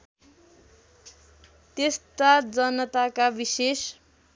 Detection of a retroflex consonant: absent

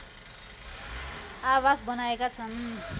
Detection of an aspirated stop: present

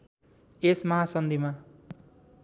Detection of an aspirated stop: absent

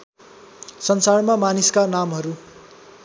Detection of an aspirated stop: absent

